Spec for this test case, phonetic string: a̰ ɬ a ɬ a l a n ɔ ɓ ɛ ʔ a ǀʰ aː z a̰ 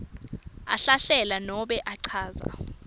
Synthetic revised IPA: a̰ ɬ a ɬ ɛ l a n ɔ ɓ ɛ ʔ a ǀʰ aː z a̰